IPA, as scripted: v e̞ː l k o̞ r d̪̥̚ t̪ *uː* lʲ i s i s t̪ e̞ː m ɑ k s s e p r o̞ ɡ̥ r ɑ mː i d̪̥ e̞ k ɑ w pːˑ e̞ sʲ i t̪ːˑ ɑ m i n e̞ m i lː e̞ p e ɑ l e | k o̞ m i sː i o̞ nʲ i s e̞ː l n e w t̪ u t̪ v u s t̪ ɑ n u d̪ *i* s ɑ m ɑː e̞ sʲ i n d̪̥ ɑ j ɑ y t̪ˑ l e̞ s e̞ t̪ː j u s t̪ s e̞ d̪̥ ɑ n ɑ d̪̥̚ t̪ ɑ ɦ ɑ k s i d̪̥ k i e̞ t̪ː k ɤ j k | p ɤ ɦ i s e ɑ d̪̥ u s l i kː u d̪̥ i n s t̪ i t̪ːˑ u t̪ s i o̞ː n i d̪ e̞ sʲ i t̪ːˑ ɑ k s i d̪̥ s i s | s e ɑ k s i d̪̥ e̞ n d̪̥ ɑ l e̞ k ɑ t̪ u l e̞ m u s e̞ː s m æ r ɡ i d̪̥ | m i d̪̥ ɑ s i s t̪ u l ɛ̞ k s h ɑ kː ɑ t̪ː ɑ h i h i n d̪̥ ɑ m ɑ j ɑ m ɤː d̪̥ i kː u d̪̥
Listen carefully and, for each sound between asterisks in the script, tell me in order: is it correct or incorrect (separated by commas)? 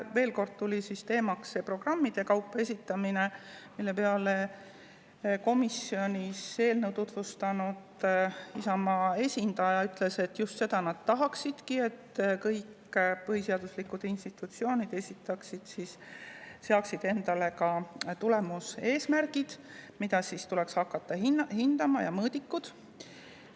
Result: incorrect, correct